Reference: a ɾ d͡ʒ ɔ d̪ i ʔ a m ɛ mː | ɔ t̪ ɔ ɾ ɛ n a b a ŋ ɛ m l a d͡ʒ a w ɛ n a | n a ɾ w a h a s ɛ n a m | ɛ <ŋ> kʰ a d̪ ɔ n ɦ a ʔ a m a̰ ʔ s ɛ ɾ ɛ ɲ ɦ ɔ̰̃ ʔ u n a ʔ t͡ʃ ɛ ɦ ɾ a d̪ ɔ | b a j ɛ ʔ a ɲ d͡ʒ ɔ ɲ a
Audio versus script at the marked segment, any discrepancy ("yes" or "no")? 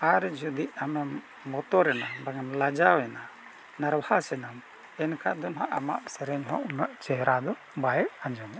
yes